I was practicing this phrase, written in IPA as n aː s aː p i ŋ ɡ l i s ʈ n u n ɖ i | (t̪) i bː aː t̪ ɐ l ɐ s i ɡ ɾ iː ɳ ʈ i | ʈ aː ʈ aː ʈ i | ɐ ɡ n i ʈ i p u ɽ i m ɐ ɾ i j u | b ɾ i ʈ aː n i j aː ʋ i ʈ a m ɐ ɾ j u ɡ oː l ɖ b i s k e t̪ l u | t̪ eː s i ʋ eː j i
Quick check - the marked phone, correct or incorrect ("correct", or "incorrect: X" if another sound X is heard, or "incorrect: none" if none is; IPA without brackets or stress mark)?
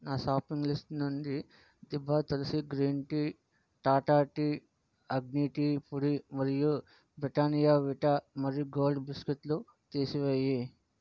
incorrect: d̪